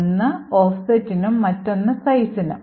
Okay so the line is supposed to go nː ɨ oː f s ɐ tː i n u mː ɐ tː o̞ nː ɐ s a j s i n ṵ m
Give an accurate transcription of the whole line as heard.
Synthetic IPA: nː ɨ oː f s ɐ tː i n u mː ɐ tː o̞ nː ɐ s ɐ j s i n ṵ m